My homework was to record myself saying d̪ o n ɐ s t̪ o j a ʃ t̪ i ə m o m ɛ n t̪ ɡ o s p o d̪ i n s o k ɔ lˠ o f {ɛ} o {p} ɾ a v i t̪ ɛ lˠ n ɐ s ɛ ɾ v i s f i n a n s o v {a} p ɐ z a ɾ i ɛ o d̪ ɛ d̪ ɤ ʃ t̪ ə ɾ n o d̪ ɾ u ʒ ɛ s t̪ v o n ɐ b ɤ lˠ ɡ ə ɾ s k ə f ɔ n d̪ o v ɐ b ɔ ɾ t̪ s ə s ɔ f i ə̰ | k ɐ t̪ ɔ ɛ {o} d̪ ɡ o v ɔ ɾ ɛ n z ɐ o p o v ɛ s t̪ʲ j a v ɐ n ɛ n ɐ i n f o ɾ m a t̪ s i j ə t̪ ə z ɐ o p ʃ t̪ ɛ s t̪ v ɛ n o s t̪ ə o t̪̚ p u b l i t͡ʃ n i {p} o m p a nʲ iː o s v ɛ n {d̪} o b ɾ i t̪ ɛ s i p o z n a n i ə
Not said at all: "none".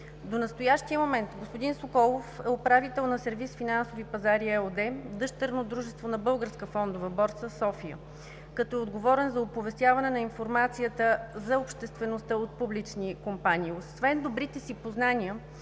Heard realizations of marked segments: ɛ, p, i, o, k, d̪

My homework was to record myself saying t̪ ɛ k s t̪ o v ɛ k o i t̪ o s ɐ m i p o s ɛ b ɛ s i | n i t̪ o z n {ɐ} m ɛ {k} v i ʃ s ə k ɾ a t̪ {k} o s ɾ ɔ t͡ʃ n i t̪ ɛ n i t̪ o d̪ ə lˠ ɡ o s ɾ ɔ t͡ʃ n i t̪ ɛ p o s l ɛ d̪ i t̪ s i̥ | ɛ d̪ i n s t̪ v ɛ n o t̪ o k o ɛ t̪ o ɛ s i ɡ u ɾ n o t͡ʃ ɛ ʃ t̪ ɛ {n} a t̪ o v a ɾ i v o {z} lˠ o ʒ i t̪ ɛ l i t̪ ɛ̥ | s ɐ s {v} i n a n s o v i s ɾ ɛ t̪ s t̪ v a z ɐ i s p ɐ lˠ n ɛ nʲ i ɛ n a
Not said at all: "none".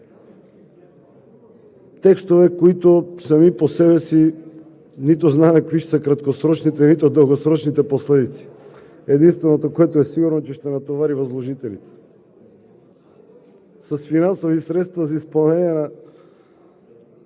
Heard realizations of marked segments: a, k, k, n, z, f

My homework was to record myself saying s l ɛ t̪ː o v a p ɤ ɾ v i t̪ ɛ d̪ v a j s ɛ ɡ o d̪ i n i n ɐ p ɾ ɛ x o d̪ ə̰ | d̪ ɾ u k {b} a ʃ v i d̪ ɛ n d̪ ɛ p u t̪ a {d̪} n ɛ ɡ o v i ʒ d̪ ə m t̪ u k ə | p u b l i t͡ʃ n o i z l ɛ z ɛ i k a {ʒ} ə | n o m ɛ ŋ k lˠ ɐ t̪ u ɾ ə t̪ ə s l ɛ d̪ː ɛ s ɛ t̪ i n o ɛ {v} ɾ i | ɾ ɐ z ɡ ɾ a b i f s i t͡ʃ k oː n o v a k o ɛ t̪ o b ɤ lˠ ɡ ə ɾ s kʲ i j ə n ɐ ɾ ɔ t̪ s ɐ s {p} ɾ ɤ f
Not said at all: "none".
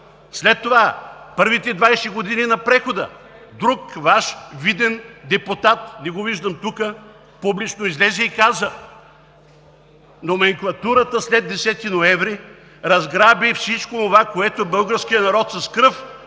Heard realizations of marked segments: v, t̪, z, v, k

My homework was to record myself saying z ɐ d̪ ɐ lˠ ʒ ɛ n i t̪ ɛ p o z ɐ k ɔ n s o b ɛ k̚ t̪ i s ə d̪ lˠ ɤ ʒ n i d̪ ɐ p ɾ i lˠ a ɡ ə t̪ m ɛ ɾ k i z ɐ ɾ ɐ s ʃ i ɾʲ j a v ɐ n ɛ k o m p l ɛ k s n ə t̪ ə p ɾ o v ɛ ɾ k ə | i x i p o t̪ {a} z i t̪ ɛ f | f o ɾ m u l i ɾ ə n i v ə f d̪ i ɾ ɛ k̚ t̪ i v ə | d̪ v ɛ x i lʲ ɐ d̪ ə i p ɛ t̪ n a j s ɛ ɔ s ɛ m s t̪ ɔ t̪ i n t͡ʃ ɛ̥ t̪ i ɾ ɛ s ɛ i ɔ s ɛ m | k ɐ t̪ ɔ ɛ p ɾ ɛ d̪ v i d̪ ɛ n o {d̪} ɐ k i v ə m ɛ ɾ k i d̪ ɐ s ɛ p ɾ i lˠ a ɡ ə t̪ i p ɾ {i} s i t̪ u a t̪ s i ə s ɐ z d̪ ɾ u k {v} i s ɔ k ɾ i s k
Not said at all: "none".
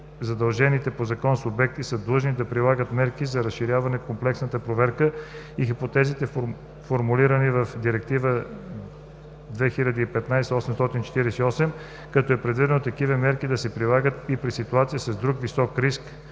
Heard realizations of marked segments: ɛ, t̪, i, v

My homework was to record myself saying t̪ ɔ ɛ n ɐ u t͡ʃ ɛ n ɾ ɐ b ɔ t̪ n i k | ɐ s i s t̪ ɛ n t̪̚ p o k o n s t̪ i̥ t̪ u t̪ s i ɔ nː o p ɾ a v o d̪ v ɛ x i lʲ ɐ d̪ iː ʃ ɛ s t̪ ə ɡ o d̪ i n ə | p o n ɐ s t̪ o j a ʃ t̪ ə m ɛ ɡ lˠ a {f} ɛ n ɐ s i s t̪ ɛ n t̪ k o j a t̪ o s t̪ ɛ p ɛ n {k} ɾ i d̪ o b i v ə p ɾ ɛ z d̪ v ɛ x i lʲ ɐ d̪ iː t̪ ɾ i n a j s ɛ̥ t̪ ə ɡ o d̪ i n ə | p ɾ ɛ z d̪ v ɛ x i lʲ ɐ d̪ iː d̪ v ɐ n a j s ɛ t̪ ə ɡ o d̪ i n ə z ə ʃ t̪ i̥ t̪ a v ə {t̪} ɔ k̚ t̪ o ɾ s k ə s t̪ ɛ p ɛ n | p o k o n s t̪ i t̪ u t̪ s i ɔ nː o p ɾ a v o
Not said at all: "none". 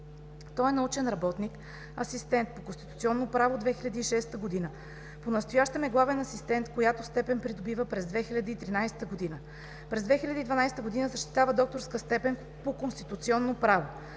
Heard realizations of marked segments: v, p, d̪

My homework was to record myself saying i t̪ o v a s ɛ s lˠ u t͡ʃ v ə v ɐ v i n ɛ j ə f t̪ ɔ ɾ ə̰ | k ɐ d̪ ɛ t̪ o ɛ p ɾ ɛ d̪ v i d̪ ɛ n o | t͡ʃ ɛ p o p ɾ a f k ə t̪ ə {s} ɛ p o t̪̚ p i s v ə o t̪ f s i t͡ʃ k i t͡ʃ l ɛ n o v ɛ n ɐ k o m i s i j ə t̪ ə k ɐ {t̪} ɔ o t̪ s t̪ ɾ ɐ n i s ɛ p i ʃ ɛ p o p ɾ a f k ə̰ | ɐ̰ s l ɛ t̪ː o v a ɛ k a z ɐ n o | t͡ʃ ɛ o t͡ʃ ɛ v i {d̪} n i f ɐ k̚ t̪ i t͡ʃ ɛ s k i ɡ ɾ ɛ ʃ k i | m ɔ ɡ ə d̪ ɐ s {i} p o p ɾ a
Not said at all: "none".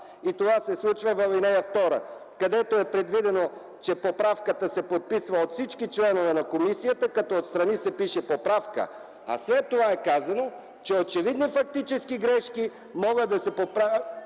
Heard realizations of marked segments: s, t̪, d̪, ɛ

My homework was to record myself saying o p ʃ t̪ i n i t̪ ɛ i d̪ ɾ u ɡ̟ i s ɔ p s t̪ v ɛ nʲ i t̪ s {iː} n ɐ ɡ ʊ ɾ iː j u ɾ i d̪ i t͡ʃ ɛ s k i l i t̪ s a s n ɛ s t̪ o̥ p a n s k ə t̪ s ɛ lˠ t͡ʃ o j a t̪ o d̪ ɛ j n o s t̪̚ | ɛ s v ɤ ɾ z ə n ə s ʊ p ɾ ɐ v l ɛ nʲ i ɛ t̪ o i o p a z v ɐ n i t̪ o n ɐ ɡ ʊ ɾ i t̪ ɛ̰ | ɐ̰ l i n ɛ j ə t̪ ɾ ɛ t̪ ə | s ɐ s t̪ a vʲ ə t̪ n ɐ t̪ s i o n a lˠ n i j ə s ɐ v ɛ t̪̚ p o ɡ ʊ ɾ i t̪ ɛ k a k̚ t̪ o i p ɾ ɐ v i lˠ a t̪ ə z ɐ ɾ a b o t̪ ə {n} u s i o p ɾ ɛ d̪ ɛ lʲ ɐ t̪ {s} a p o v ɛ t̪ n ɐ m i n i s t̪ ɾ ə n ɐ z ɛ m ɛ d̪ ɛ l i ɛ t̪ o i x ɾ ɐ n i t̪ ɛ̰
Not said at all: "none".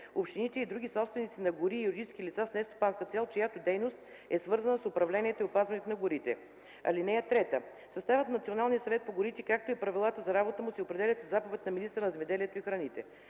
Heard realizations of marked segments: i, m, z

